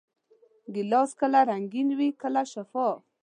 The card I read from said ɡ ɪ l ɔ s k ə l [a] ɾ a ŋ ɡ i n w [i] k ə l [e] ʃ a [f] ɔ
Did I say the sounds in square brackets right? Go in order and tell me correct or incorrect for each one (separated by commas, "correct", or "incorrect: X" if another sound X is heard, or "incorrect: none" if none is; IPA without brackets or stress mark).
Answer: correct, correct, incorrect: a, correct